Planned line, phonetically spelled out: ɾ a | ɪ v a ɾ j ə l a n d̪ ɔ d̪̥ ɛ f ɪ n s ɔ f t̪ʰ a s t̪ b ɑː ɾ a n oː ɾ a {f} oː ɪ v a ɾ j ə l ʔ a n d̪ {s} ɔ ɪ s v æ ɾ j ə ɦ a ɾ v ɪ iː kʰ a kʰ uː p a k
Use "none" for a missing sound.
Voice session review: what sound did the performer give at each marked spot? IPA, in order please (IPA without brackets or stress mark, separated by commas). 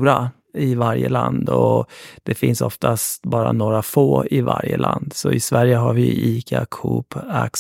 f, s